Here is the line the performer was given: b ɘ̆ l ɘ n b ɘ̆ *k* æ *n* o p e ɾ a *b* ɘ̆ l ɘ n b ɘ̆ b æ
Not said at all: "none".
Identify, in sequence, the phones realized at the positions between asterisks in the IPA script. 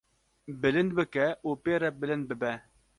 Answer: k, none, b

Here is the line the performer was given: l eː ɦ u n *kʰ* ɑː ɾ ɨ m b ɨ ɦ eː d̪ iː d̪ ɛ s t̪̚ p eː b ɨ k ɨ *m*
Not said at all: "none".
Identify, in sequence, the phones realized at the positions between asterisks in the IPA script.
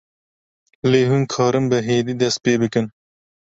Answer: kʰ, n

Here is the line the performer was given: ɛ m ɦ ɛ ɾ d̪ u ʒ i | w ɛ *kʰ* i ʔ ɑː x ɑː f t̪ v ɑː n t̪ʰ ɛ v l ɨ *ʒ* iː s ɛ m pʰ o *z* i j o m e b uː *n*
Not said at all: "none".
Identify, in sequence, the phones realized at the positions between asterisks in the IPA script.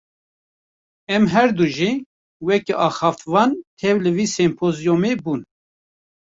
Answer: k, v, z, n

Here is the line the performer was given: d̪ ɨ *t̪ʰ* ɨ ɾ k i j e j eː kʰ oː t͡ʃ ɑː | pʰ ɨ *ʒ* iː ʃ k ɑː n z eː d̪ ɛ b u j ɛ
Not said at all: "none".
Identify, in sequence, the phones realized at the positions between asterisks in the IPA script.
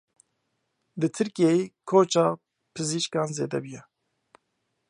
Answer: t̪ʰ, z

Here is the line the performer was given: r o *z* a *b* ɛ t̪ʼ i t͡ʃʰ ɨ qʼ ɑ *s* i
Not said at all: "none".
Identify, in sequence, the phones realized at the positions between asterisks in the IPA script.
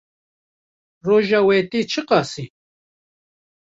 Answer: ʒ, w, s

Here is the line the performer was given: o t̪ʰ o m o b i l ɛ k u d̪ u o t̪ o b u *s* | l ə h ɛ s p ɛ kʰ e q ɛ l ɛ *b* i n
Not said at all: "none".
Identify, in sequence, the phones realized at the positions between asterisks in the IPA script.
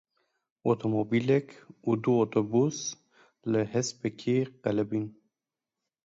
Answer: s, b

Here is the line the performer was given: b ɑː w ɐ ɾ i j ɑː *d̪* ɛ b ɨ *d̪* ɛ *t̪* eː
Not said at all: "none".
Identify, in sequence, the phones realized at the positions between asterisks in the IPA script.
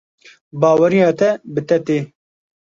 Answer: t̪, t̪, t̪

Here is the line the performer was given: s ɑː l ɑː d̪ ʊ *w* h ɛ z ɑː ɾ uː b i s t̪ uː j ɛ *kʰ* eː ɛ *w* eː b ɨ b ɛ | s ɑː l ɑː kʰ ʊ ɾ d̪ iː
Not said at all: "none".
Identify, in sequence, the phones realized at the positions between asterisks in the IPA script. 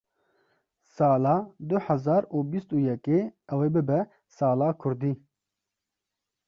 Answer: none, k, w

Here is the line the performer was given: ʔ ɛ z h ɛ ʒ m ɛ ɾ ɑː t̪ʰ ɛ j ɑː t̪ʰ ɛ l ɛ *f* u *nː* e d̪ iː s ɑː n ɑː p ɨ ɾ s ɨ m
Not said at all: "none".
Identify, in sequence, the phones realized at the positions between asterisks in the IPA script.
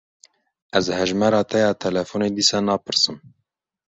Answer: f, n

